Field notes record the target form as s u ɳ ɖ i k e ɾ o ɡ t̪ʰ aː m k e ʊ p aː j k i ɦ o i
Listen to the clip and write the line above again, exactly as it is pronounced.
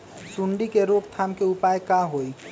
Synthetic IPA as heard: s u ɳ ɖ i k e ɾ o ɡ t̪ʰ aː m k e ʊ p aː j k a ɦ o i